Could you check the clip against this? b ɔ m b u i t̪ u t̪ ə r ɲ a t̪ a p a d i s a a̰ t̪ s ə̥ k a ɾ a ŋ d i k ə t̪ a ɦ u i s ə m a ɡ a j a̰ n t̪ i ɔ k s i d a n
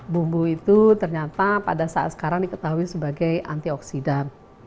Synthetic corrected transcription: b u m b u i t̪ u t̪ ə r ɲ a t̪ a p a d a s a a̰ t̪ s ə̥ k a ɾ a ŋ d i k ə t̪ a ɦ u i s ə b a ɡ a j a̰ n t̪ i ɔ k s i d a n